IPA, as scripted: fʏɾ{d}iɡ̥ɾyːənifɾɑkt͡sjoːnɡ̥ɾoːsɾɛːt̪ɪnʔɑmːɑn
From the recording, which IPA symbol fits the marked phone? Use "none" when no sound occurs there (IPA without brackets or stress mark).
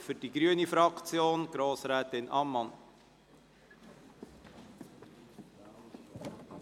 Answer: d